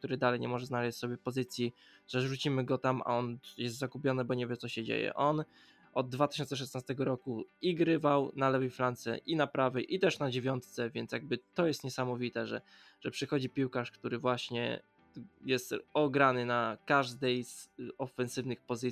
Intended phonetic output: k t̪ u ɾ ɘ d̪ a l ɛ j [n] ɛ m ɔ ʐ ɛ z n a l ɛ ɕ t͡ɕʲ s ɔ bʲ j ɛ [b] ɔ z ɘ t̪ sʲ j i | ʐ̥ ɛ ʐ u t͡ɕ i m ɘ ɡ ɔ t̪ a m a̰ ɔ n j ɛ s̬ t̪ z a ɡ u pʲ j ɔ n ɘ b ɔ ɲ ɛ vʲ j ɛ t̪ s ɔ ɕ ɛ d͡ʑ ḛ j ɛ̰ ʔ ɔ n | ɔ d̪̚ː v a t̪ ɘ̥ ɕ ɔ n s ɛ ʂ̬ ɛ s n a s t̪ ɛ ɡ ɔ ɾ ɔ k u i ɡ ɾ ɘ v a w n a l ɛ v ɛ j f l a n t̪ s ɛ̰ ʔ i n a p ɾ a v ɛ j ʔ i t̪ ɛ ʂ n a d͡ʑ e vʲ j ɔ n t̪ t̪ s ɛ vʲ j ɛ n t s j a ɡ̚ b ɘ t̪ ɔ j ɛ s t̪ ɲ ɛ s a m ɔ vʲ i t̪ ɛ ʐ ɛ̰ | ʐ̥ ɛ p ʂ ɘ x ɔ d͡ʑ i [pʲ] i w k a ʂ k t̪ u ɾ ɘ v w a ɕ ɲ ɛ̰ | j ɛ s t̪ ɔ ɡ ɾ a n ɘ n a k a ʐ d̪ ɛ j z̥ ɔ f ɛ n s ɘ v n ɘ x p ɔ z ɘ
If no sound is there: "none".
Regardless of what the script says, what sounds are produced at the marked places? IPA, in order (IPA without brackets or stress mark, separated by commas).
ɲ, p, pʲ